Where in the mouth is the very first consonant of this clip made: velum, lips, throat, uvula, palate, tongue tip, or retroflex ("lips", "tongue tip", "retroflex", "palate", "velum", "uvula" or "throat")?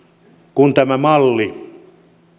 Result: velum